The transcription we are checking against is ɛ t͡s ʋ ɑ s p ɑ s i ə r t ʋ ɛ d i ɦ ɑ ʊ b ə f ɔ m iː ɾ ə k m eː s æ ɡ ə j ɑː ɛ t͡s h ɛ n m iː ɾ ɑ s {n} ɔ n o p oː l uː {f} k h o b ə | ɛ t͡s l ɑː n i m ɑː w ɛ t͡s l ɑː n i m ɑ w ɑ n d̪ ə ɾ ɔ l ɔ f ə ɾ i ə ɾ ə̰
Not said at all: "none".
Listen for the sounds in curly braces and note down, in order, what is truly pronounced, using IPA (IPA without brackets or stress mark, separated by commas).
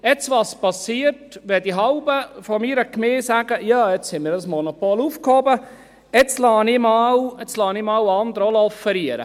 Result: m, f